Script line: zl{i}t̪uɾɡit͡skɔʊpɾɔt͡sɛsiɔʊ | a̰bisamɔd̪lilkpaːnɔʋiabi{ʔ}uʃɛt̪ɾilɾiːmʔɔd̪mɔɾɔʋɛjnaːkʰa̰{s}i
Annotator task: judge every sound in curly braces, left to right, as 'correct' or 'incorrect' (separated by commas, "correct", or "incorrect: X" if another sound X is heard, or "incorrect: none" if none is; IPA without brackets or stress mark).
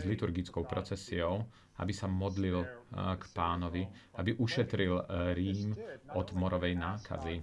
correct, correct, incorrect: z